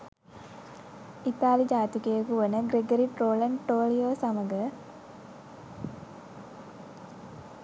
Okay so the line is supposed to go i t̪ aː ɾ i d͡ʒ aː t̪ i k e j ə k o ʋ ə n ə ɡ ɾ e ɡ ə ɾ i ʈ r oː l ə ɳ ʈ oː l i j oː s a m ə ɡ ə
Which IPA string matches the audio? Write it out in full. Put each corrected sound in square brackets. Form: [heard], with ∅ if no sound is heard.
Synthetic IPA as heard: i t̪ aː [l] i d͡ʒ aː t̪ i k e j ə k [u] ʋ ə n ə ɡ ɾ e ɡ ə ɾ i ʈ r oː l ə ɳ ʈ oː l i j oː s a m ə ɡ ə